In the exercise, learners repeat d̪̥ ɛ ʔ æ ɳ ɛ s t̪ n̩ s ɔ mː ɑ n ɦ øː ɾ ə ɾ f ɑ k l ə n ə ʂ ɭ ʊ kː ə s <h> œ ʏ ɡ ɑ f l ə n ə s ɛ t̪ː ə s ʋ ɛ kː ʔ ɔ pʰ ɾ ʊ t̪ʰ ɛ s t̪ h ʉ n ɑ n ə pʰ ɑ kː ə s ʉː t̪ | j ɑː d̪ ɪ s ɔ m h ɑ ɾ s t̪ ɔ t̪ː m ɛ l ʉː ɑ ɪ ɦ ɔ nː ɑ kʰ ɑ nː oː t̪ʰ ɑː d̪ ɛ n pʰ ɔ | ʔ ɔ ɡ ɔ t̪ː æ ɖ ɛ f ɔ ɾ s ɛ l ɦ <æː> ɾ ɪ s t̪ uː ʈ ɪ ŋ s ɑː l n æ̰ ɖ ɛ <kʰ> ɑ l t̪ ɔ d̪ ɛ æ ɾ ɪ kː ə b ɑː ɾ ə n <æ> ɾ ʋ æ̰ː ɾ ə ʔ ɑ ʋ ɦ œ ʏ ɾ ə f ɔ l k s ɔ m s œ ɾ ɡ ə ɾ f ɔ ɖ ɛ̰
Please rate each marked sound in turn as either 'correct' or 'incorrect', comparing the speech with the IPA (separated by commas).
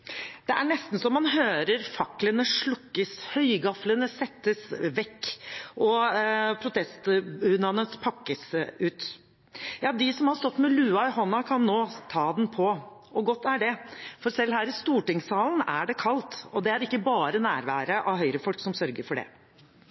correct, correct, correct, incorrect